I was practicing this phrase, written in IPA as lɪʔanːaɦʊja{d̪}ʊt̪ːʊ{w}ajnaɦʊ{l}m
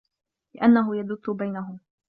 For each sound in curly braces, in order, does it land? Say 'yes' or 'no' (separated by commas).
yes, no, no